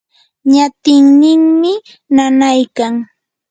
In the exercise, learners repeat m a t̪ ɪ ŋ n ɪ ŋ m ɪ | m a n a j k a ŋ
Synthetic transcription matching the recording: ɲ a t̪ ɪ ŋ n ɪ ŋ m ɪ | n a n a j k a ŋ